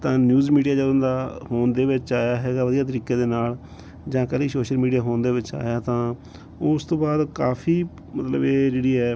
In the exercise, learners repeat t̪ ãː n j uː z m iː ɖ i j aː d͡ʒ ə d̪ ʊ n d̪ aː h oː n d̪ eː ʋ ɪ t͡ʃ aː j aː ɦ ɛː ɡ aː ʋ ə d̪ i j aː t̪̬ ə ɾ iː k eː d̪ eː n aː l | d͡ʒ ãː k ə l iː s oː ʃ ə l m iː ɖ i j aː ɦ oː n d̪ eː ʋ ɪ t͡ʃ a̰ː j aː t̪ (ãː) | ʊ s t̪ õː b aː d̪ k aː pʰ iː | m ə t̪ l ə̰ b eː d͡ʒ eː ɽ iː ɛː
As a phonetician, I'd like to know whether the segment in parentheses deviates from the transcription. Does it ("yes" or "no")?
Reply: no